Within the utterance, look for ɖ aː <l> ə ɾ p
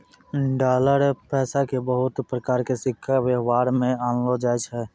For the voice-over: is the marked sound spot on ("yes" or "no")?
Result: yes